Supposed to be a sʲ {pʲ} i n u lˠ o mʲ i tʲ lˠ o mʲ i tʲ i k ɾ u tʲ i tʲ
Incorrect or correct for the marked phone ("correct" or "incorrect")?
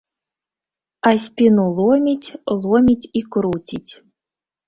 correct